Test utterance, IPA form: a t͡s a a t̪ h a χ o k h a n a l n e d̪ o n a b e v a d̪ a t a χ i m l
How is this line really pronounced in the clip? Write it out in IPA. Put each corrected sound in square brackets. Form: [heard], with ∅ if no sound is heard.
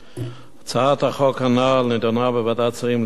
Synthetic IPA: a t͡s a a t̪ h a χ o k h a n a l n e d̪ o n a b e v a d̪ a [t͡s] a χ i m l